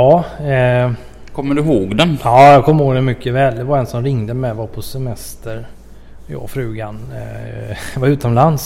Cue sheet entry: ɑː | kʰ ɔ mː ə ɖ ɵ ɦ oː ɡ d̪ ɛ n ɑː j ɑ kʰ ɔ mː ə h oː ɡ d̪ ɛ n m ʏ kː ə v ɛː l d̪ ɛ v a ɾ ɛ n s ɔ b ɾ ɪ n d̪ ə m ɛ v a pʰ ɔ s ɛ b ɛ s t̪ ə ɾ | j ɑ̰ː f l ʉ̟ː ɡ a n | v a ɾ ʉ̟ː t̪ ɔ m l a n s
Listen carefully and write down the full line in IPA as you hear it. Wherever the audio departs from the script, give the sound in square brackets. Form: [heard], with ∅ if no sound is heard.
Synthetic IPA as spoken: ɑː | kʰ ɔ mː ə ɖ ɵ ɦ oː ɡ d̪ ɛ n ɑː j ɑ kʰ ɔ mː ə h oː ɡ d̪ ɛ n m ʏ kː ə v ɛː l d̪ ɛ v a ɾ ɛ n s ɔ [m] ɾ ɪ [ŋ] d̪ ə m ɛ v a pʰ ɔ s ɛ [m] ɛ s t̪ ə ɾ | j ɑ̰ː f [ɾ] ʉ̟ː ɡ a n | v a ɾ ʉ̟ː t̪ ɔ m l a n s